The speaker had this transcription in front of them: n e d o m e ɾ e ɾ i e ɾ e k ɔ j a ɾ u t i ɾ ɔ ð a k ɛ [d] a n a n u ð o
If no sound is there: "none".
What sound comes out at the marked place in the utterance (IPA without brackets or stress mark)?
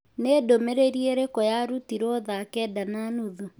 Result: d